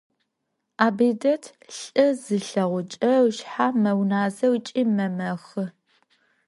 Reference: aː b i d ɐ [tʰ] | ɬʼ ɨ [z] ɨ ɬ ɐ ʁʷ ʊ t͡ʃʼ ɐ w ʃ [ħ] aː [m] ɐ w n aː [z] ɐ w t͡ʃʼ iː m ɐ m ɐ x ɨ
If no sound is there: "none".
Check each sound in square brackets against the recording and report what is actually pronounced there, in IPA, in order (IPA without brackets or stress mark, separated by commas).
tʰ, z, ħ, m, z